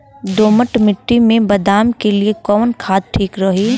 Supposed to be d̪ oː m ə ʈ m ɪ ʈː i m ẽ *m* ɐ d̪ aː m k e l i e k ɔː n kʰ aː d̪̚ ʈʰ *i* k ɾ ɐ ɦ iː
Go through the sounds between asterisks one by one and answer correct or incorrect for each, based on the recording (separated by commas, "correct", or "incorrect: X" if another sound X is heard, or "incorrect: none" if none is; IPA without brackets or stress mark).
incorrect: b, incorrect: iː